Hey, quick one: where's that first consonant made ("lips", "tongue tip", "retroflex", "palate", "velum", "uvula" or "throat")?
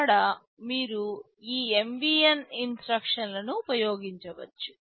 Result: retroflex